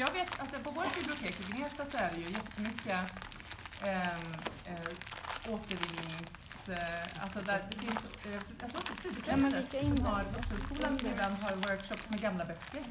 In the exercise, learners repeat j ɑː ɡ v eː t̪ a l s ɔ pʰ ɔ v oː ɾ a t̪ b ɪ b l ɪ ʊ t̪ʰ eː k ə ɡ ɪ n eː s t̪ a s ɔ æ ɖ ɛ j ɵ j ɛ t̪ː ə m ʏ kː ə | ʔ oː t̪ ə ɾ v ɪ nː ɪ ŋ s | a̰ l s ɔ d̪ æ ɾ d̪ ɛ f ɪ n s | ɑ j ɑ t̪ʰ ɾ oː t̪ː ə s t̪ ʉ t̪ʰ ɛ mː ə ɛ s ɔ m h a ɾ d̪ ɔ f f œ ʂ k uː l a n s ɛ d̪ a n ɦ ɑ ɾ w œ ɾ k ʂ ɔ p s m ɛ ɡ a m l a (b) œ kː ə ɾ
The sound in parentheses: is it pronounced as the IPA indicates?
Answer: yes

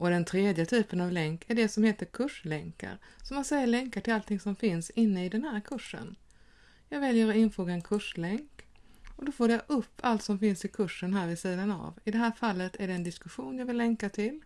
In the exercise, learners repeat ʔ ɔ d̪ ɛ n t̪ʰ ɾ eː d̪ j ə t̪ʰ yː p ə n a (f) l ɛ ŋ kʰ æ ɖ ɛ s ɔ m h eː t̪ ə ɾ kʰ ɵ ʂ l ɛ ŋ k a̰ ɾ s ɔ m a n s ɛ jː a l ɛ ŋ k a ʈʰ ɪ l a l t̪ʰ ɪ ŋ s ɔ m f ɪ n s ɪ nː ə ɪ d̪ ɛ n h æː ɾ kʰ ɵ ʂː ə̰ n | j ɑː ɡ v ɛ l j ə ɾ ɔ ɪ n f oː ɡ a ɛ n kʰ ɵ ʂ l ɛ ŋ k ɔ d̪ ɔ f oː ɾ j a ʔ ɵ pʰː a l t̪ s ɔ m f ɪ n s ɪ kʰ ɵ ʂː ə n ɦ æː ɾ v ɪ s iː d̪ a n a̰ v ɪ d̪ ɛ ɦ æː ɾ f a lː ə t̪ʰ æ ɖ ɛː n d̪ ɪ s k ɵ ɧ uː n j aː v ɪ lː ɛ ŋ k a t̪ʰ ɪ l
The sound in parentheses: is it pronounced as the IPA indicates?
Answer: no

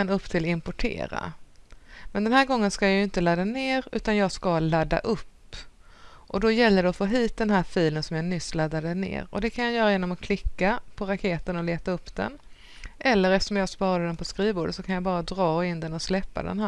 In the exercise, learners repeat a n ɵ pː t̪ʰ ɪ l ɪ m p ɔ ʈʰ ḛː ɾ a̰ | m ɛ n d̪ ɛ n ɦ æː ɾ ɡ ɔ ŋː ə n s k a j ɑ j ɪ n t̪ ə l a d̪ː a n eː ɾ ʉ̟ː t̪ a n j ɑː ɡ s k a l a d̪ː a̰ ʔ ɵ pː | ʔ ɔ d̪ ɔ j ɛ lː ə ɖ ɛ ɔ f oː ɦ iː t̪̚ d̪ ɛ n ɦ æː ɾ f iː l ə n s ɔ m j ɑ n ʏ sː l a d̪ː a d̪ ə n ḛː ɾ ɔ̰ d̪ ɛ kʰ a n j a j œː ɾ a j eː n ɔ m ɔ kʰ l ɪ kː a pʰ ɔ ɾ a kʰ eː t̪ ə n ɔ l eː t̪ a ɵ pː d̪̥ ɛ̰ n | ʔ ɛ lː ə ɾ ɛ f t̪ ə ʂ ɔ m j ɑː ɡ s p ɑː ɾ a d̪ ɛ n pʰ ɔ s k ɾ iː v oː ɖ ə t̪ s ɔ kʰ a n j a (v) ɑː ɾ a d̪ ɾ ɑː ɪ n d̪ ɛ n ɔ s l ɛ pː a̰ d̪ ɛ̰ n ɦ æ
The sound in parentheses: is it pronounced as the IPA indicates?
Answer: no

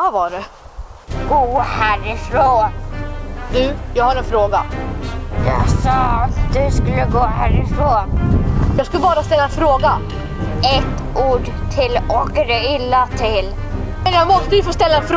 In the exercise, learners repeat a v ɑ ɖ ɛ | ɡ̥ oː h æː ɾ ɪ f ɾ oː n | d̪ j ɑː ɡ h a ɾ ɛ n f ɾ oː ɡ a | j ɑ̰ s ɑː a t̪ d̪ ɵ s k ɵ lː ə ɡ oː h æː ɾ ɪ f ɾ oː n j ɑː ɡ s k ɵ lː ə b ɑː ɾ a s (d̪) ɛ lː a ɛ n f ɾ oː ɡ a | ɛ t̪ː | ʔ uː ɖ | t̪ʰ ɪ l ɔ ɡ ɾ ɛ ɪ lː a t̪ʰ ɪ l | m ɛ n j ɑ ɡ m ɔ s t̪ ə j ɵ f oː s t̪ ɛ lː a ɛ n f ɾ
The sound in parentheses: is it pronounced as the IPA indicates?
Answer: no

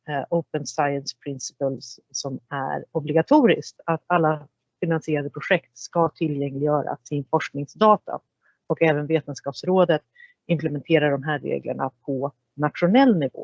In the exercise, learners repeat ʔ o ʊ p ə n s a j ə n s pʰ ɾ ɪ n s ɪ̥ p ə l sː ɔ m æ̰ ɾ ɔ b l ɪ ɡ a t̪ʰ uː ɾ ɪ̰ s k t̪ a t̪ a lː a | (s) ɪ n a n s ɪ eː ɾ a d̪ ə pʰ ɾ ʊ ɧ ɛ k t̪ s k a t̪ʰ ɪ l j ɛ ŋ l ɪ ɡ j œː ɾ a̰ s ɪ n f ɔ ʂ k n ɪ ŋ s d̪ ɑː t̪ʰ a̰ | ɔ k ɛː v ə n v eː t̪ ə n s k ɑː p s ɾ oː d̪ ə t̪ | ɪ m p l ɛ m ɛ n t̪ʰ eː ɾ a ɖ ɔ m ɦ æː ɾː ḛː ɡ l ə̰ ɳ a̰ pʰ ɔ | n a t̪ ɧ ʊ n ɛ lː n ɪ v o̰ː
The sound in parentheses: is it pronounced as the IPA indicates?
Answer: no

